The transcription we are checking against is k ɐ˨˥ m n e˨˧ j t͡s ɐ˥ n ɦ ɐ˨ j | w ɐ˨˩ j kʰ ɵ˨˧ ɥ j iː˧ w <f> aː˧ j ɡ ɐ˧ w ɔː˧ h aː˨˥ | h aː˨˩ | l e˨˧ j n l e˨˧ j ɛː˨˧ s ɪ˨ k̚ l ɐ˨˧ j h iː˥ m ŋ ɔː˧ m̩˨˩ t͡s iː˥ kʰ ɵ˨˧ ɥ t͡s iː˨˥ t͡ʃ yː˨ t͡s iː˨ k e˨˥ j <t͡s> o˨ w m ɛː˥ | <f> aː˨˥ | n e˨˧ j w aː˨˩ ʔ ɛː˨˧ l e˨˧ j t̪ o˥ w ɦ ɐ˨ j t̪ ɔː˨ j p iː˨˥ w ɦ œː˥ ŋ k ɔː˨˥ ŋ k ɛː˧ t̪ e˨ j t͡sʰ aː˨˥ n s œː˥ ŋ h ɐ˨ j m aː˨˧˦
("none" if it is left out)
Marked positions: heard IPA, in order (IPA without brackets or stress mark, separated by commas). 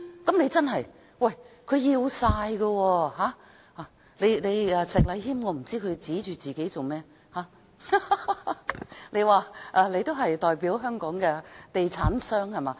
s, t͡s, h